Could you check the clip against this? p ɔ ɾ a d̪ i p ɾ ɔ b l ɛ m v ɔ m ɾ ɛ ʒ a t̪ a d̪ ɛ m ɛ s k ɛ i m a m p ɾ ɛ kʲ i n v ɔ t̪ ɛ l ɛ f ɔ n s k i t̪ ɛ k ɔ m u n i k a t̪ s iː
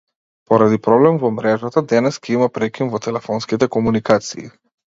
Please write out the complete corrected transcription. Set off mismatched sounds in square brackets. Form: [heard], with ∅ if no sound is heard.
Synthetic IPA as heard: p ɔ ɾ a d̪ i p ɾ ɔ b l ɛ m v ɔ m ɾ ɛ ʒ a t̪ a d̪ ɛ [n] ɛ s k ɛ i m a [∅] p ɾ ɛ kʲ i n v ɔ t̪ ɛ l ɛ f ɔ n s k i t̪ ɛ k ɔ m u n i k a t̪ s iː